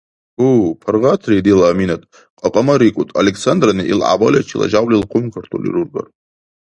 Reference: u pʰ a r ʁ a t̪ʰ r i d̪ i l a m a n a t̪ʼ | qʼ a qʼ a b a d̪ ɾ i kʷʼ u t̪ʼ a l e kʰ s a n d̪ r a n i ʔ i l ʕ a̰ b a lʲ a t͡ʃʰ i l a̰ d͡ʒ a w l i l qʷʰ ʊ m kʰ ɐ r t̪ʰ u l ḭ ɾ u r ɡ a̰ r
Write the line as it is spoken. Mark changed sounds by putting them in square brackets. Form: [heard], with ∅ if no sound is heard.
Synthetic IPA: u pʰ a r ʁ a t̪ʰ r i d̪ i l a m [i] n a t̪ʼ | qʼ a qʼ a [m] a [∅] ɾ i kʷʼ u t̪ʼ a l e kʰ s a n d̪ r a n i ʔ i l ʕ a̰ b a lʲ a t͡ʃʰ i l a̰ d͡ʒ a w l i l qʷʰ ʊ m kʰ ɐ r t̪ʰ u l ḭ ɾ u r ɡ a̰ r

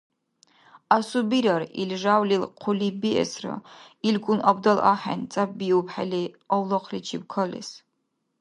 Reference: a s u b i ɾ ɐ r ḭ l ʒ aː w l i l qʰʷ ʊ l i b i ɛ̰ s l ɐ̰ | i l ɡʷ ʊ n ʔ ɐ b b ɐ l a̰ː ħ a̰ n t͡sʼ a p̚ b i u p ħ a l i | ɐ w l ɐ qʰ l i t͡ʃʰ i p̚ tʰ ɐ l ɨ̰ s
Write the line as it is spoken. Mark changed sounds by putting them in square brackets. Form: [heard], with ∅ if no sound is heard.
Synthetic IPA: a s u b i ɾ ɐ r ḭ l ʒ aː w l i l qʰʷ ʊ l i b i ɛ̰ s [r] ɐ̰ | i l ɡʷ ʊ n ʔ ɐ b [d] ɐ l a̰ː ħ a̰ n t͡sʼ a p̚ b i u p ħ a l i | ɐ w l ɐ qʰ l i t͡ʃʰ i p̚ [kʰ] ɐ l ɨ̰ s

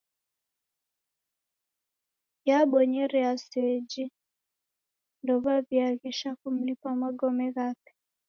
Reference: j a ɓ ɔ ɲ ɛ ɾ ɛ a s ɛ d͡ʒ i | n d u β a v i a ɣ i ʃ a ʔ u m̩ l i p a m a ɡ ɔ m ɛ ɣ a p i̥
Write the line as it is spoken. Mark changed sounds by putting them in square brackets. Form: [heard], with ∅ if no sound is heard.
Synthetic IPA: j a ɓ ɔ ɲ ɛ ɾ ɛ a s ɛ d͡ʒ i | n d [ɔ] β a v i a ɣ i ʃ a [k] u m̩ l i p a m a ɡ ɔ m ɛ ɣ a p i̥

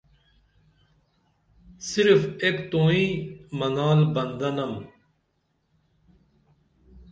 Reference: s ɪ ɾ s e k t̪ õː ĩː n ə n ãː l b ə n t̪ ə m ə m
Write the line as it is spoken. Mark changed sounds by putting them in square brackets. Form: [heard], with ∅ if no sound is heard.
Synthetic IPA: s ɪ ɾ [f] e k t̪ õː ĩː [m] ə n [aː] l b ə n [d̪] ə [n] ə m

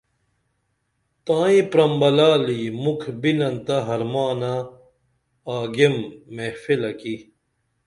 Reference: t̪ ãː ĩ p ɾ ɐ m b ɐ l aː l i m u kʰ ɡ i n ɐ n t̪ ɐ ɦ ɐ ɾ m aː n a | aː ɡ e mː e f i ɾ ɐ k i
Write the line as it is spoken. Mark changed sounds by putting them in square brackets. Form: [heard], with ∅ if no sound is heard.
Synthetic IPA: t̪ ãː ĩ p ɾ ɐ m b ɐ l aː l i m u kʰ [b] i n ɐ n t̪ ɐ ɦ ɐ ɾ m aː n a | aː ɡ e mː e f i [l] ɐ k i

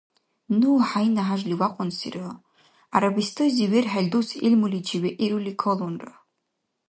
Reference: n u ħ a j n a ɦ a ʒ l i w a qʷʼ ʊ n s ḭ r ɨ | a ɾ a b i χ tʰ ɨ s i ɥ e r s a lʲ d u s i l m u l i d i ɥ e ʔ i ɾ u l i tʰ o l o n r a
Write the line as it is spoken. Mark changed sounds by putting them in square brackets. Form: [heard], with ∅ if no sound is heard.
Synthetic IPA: n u ħ a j n a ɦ a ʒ l i w a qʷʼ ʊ n s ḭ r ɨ | a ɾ a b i [s] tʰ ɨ [z] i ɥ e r [ħ] a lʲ d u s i l m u l i [d͡ʒ] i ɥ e ʔ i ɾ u l i [kʰ] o l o n r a

